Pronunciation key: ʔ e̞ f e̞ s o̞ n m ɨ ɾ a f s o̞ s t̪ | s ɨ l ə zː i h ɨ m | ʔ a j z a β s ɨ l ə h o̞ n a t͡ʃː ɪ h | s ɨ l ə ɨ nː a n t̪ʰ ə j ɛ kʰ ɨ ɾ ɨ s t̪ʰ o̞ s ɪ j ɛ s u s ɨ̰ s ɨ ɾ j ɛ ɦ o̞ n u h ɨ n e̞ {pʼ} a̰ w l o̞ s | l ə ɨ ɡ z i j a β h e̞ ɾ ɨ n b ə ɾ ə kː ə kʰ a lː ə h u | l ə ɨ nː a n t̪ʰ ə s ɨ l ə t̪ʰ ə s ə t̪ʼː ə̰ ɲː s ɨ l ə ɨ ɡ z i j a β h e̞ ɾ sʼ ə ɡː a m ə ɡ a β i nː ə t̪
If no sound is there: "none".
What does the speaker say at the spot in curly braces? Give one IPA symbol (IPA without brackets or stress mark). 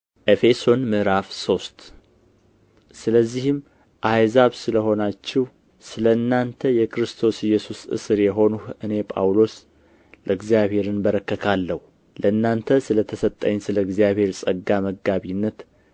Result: pʼ